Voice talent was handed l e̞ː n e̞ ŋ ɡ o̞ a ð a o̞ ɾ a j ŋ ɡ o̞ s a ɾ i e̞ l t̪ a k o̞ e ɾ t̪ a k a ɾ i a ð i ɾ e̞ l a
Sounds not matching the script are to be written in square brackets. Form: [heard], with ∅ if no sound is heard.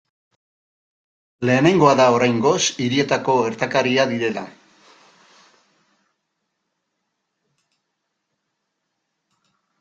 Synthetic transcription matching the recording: l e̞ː n e̞ ŋ ɡ o̞ a ð a o̞ ɾ a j ŋ ɡ o̞ s [i] ɾ i e̞ [∅] t̪ a k o̞ e ɾ t̪ a k a ɾ i a ð i ɾ e̞ l a